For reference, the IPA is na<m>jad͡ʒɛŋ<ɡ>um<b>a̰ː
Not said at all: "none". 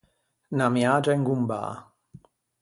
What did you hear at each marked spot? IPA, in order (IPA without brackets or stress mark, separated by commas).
m, ɡ, b